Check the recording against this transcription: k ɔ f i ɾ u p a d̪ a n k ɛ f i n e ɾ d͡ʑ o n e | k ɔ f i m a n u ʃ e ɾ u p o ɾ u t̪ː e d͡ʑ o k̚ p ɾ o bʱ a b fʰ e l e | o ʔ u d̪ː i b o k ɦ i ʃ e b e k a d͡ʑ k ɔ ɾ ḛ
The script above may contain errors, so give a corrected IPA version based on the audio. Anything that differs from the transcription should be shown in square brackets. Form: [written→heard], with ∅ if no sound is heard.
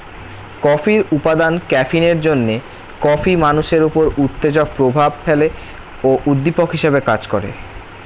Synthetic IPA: k ɔ f i ɾ u p a d̪ a n k ɛ f i n e ɾ d͡ʑ o [n→nː] e | k ɔ f i m a n u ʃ e ɾ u p o ɾ u t̪ː e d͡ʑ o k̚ p ɾ o bʱ a b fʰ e l e | o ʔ u d̪ː i [b→p] o k ɦ i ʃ e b e k a d͡ʑ k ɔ ɾ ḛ